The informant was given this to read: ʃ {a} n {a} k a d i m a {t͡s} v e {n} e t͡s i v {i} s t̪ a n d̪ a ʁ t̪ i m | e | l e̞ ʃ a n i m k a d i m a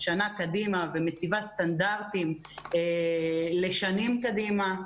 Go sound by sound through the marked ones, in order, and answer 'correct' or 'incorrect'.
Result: correct, correct, incorrect: none, incorrect: m, incorrect: a

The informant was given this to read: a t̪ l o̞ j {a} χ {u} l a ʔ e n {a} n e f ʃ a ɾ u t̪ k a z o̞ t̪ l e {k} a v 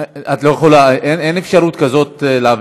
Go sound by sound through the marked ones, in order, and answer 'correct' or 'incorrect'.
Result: incorrect: e, incorrect: o, incorrect: e, incorrect: none

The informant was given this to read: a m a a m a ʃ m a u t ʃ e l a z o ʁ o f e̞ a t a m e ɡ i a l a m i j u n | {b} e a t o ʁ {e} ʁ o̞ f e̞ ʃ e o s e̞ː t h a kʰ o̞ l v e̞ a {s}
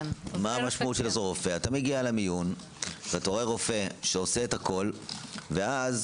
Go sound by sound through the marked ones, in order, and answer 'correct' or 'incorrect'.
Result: incorrect: v, correct, incorrect: z

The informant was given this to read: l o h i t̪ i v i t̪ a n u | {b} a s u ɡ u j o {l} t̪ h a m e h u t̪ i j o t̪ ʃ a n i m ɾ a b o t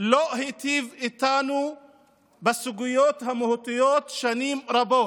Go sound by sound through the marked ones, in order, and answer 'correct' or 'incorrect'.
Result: correct, incorrect: none

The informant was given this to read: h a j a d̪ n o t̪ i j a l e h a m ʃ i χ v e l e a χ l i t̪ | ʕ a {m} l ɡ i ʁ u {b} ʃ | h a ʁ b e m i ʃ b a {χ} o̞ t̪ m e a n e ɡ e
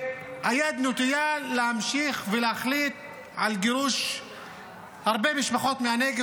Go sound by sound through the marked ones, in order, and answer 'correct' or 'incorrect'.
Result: incorrect: none, incorrect: none, correct

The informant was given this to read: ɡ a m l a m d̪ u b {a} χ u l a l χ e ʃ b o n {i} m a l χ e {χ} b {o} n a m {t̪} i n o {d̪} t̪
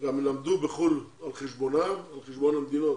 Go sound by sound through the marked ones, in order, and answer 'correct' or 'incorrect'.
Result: incorrect: e, incorrect: a, incorrect: ʃ, correct, incorrect: d̪, incorrect: none

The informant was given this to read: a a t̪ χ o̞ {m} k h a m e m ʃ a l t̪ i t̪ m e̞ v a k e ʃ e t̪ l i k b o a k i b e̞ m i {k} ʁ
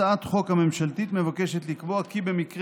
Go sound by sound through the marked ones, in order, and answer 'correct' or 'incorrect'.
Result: incorrect: none, correct

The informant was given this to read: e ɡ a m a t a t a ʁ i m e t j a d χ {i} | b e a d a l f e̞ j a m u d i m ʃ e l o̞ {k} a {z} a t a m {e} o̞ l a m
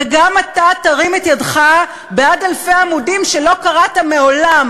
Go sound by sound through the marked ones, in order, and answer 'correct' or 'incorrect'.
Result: incorrect: a, correct, incorrect: ʁ, correct

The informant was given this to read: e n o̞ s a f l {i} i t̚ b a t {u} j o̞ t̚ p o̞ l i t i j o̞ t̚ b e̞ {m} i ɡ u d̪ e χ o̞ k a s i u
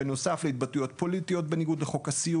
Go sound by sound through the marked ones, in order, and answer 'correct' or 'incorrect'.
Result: incorrect: e, correct, incorrect: n

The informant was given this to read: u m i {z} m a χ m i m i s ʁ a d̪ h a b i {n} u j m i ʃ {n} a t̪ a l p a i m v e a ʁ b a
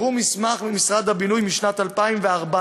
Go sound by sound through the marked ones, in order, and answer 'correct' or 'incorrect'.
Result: incorrect: s, correct, correct

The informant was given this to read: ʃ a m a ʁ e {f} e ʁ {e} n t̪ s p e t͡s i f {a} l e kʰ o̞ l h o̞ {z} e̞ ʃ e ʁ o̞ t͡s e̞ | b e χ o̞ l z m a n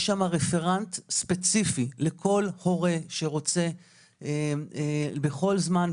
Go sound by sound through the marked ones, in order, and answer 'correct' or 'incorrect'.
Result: correct, incorrect: a, incorrect: i, incorrect: ʁ

